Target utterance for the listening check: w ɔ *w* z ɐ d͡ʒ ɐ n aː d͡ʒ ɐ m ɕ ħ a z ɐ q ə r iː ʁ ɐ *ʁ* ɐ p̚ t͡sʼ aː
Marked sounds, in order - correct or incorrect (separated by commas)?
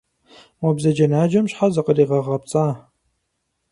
incorrect, correct